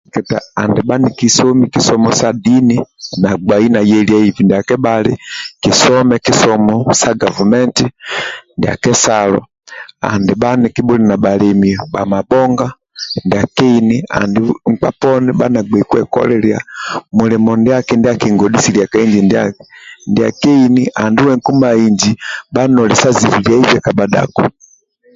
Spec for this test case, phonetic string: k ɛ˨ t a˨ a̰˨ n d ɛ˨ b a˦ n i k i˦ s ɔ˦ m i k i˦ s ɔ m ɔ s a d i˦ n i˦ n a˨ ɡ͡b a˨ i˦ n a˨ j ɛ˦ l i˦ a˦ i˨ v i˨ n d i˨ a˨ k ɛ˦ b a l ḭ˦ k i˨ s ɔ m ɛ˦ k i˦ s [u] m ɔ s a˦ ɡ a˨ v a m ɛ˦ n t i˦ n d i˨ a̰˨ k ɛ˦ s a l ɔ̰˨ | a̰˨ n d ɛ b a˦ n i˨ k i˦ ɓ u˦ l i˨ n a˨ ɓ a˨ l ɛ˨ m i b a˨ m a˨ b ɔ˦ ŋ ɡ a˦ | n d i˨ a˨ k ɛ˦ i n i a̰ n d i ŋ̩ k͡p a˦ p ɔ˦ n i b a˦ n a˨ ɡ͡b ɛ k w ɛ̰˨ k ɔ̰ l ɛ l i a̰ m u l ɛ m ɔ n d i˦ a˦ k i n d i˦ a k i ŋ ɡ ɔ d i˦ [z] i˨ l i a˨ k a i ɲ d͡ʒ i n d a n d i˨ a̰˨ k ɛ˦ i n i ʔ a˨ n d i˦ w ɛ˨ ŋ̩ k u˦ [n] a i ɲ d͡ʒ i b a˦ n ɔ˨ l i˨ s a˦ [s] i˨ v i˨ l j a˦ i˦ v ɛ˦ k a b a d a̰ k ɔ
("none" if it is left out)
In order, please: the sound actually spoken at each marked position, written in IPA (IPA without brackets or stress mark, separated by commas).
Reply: ɔ, s, m, z